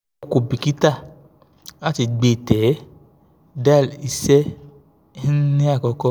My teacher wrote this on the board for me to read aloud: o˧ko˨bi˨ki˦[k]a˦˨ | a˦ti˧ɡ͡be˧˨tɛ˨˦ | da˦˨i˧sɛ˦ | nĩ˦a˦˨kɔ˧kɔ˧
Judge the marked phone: incorrect: t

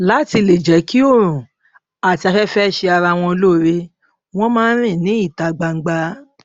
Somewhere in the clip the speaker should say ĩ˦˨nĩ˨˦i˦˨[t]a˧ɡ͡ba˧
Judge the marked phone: correct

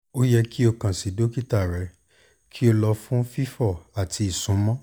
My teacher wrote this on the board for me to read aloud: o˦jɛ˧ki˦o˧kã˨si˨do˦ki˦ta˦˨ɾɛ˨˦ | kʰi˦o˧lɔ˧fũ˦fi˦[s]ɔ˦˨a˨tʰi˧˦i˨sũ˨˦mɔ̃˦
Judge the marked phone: incorrect: f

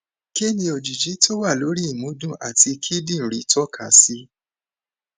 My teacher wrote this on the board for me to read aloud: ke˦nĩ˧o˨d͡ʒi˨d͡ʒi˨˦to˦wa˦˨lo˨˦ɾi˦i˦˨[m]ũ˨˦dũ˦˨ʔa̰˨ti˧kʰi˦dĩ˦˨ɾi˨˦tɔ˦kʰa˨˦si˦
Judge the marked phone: correct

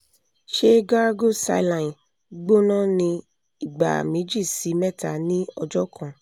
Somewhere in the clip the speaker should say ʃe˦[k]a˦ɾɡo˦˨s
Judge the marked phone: incorrect: ɡ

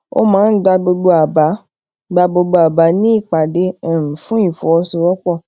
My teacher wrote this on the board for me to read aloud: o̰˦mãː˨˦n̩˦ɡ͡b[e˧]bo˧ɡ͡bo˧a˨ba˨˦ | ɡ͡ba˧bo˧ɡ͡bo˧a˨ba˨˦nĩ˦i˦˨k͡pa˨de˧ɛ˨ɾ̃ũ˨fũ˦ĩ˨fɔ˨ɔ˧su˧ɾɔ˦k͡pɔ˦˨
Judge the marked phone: incorrect: a˧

